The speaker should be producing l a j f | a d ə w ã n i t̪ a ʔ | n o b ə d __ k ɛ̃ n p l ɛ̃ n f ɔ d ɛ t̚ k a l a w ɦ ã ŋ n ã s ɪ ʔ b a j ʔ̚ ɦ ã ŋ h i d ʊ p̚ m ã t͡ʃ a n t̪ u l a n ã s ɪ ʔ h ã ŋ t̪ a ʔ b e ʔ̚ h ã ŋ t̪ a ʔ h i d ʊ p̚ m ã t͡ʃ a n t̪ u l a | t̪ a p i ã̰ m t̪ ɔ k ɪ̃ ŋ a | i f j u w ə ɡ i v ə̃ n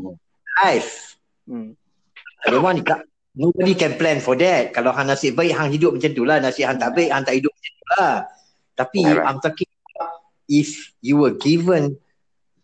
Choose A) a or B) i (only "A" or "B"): B